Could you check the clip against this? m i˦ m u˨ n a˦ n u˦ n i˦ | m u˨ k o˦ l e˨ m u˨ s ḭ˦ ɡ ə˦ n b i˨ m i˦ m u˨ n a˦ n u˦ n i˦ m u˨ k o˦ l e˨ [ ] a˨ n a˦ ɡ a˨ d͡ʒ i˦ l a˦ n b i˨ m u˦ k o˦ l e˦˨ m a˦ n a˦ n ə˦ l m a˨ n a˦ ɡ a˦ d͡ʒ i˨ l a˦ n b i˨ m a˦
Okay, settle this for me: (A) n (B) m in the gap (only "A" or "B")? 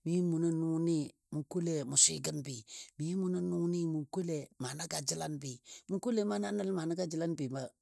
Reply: B